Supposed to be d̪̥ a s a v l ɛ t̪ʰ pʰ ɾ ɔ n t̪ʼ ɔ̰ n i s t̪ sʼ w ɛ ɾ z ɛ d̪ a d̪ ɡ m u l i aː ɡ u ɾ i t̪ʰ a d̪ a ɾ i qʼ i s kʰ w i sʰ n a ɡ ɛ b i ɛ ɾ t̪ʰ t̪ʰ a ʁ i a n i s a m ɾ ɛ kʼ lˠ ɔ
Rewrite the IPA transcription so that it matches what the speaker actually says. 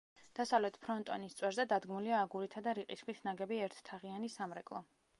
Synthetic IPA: d̪̥ a s a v l ɛ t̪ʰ pʰ ɾ ɔ n t̪ʼ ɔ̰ n i s t̪ sʼ w ɛ ɾ z ɛ d̪ a d̪ ɡ m u l i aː ɡ u ɾ i t̪ʰ a d̪ a ɾ i qʼ i s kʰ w i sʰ n a ɡ ɛ b i ɛ ɾ t̪ʰ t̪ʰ a ʁ i a n i s a m ɾ ɛ kʼ lˠ ɔ

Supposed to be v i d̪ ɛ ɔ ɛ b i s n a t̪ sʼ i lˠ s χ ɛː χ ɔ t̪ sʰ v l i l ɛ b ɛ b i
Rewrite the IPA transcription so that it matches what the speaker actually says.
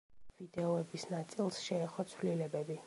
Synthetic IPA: v i d̪ ɛ ɔ ɛ b i s n a t̪ sʼ i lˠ s ʃ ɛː χ ɔ t̪ sʰ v l i l ɛ b ɛ b i

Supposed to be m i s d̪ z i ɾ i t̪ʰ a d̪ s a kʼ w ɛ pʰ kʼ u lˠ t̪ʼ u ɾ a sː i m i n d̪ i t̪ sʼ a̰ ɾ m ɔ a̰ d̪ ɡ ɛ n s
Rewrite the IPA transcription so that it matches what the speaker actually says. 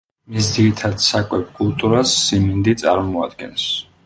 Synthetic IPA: m i s d̪ z i ɾ i t̪ʰ a d̪ s a kʼ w ɛ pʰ kʼ u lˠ t̪ʼ u ɾ a sː i m i n d̪ i t̪ sʼ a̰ ɾ m ɔ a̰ d̪ ɡ ɛ n s

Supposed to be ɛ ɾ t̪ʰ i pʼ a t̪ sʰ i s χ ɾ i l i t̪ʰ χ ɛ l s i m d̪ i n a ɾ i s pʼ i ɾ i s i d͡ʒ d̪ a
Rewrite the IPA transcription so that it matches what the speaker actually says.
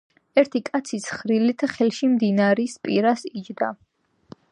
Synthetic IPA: ɛ ɾ t̪ʰ i kʼ a t̪ sʰ i s χ ɾ i l i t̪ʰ χ ɛ l ʃ i m d̪ i n a ɾ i s pʼ i ɾ a s i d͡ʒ d̪ a

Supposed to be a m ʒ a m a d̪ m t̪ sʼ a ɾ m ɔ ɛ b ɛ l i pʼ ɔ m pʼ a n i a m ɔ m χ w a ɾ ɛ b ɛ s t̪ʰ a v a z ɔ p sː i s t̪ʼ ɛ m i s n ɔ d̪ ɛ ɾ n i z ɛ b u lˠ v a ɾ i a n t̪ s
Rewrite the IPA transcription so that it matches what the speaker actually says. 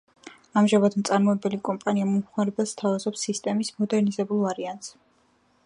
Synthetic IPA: a m ʒ a m a d̪ m t̪ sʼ a ɾ m ɔ ɛ b ɛ l i kʼ ɔ m pʼ a n i a m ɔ m χ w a ɾ ɛ b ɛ s t̪ʰ a v a z ɔ p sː i s t̪ʼ ɛ m i s m ɔ d̪ ɛ ɾ n i z ɛ b u lˠ v a ɾ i a n t̪ s

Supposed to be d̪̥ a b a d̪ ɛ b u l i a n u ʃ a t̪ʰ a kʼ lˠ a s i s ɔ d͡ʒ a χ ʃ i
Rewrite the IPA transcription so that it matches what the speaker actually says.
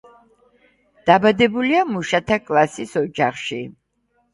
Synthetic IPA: d̪̥ a b a d̪ ɛ b u l i a m u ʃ a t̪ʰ a kʼ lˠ a s i s ɔ d͡ʒ a χ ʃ i

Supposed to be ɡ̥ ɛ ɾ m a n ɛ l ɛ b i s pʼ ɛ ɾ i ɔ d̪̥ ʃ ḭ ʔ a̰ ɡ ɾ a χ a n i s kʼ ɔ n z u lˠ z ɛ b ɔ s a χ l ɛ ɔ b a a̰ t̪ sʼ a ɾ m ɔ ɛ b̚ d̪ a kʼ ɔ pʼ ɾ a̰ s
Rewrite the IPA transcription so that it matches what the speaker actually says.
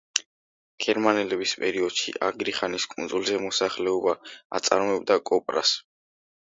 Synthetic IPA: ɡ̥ ɛ ɾ m a n ɛ l ɛ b i s pʼ ɛ ɾ i ɔ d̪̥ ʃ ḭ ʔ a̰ ɡ ɾ i χ a n i s kʼ u n z u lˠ z ɛ m ɔ s a χ l ɛ ɔ b a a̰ t̪ sʼ a ɾ m ɔ ɛ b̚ d̪ a kʼ ɔ pʼ ɾ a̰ s

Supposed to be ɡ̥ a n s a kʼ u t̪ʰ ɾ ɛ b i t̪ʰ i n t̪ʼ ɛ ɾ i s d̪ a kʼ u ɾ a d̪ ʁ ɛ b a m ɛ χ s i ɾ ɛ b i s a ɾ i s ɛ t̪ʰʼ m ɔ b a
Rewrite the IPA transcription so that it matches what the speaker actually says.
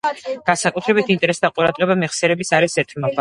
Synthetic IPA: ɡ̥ a n s a kʼ u t̪ʰ ɾ ɛ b i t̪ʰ i n t̪ʼ ɛ ɾ ɛ s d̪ a qʼ u ɾ a d̪ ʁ ɛ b a m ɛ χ s ɛ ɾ ɛ b i s a ɾ i s ɛ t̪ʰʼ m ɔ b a

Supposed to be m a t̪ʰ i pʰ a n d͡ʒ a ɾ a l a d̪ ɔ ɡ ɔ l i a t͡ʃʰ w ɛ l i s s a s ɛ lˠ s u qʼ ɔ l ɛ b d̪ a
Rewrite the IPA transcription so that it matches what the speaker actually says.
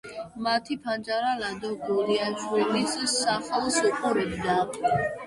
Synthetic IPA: m a t̪ʰ i pʰ a n d͡ʒ a ɾ a l a d̪ ɔ ɡ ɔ l i a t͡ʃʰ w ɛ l i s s a χ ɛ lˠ s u qʼ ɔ ɾ ɛ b d̪ a

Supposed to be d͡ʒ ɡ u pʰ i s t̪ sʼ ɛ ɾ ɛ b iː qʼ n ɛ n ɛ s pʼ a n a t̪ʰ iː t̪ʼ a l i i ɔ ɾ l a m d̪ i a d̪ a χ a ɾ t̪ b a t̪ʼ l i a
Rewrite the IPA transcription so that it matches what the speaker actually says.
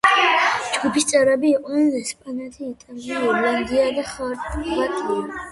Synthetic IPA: d͡ʒ ɡ u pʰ i s t̪ sʼ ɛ ɾ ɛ b iː qʼ n ɛ n ɛ s pʼ a n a t̪ʰ iː t̪ʼ a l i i ɔ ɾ l a n d̪ i a d̪ a χ a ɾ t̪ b a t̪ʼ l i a

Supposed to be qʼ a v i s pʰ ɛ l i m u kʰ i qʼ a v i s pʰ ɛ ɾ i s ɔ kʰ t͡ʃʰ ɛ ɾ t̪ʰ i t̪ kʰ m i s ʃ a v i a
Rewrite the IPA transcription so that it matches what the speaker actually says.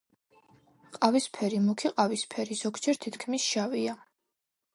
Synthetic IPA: qʼ a v i s pʰ ɛ ɾ i m u kʰ i qʼ a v i s pʰ ɛ ɾ i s ɔ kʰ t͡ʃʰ ɛ ɾ t̪ʰ i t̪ kʰ m i s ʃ a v i a

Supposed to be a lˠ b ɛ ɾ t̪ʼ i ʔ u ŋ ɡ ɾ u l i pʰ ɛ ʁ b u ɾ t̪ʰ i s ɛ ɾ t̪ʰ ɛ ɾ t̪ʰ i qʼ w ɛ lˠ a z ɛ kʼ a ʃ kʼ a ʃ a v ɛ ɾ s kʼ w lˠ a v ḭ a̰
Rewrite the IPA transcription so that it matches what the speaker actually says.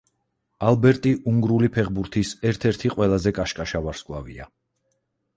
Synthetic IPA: a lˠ b ɛ ɾ t̪ʼ i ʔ u ŋ ɡ ɾ u l i pʰ ɛ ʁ b u ɾ t̪ʰ i s ɛ ɾ t̪ʰ ɛ ɾ t̪ʰ i qʼ w ɛ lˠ a z ɛ kʼ a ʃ kʼ a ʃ a v a ɾ s kʼ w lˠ a v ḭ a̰

